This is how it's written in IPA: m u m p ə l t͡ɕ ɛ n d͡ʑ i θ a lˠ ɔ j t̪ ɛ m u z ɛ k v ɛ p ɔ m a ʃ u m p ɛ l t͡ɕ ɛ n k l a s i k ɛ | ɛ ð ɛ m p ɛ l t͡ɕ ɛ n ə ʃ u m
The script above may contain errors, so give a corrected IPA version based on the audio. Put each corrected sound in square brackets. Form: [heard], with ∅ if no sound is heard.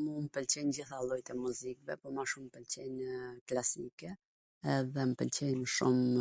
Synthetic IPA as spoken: m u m p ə l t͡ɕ ɛ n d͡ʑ i θ a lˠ ɔ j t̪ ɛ m u z [i] k v ɛ p ɔ m a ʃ u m p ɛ l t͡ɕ ɛ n k l a s i k ɛ | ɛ ð ɛ m p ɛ l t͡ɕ ɛ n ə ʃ u m